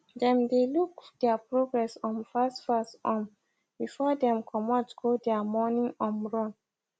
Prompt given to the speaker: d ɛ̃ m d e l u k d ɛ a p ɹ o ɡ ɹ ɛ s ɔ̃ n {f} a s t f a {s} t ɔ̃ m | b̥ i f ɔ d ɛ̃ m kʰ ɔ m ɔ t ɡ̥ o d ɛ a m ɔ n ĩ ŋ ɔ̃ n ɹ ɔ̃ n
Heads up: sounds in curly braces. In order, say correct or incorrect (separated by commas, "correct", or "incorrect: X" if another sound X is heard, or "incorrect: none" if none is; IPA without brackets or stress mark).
correct, correct